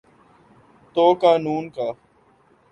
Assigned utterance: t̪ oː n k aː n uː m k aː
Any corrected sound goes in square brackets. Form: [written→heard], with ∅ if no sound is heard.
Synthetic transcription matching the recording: t̪ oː [n→∅] k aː n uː [m→n] k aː